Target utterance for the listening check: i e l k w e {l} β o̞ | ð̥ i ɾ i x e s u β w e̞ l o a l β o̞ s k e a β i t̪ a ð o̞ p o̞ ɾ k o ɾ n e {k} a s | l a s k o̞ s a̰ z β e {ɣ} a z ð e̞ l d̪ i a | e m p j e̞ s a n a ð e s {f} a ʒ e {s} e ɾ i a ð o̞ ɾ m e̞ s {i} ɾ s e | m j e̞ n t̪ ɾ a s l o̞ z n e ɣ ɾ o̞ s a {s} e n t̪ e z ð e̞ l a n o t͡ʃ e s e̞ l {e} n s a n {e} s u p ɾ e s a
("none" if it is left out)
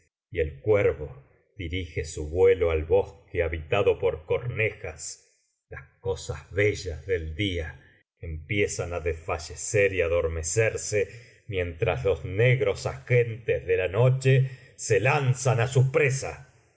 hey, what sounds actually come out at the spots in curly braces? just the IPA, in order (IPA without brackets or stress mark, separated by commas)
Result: ɾ, x, ʒ, f, s, e, x, a, a